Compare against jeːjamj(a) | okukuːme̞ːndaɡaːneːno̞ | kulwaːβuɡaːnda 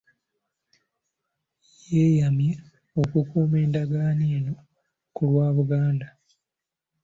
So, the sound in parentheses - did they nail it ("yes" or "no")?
no